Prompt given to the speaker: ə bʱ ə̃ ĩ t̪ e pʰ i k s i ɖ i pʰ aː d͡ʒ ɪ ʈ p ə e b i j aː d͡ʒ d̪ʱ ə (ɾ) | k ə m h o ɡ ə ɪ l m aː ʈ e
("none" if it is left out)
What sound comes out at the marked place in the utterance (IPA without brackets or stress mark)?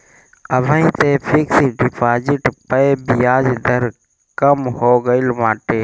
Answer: ɾ